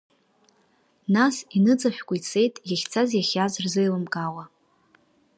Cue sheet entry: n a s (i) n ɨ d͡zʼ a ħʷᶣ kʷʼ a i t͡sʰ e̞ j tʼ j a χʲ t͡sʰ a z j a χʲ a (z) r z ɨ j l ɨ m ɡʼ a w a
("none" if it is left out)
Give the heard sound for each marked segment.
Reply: i, z

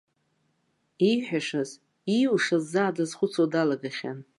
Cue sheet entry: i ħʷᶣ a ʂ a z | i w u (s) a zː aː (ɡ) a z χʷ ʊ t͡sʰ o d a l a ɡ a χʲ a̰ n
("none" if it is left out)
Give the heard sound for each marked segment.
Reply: ʂ, d

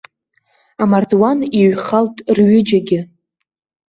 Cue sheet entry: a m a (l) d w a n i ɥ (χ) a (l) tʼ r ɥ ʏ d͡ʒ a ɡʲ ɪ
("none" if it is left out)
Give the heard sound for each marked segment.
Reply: r, χ, l

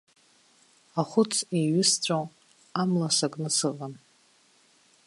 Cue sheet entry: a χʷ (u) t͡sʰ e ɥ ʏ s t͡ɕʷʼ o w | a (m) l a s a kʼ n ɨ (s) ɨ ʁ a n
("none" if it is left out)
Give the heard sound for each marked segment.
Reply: ʊ, m, s

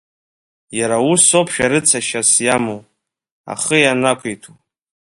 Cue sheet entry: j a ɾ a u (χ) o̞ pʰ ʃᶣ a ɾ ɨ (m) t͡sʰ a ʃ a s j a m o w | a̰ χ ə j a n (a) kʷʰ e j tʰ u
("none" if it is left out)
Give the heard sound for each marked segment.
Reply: s, none, a

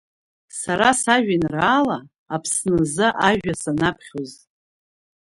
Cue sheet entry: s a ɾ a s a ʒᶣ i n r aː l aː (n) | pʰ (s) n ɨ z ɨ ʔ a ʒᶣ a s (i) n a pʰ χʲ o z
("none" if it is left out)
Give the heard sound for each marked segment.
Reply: none, s, a

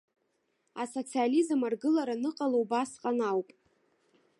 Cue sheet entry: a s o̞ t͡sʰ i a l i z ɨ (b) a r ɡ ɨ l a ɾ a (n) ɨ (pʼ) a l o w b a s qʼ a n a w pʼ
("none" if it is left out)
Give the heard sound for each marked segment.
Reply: m, n, qʼ

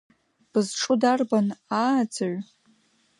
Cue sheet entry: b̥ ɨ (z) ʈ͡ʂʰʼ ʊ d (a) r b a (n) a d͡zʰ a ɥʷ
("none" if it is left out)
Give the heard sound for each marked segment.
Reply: z, a, n

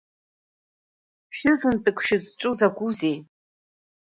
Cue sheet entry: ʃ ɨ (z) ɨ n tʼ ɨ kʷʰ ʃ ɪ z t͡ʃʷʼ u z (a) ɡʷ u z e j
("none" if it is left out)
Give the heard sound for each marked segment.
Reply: z, a

